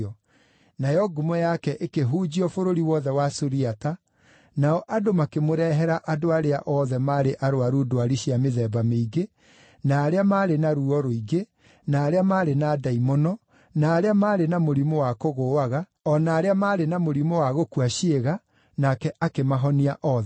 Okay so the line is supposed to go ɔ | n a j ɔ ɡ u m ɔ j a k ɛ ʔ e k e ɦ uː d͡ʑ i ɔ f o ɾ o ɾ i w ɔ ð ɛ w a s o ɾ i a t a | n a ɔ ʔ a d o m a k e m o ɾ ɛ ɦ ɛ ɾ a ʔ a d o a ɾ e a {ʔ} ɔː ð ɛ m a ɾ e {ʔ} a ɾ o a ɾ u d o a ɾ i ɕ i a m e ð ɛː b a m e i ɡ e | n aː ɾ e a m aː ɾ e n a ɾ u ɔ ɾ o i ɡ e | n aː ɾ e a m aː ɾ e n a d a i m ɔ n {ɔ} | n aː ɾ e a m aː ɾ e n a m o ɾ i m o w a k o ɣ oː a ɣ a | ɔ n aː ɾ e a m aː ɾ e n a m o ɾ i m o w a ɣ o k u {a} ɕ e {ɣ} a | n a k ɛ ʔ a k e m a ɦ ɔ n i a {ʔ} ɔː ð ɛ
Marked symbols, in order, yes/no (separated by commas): yes, yes, yes, yes, yes, yes